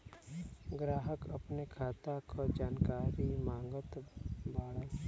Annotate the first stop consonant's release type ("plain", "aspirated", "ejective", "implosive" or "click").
plain